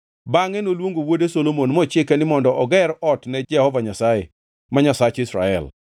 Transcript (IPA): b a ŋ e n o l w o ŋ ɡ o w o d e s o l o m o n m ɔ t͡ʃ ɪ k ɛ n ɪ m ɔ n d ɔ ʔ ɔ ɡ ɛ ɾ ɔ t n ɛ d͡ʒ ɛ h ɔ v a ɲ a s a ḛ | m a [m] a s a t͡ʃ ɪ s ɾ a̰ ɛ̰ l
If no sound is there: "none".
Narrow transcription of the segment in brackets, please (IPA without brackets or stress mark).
ɲ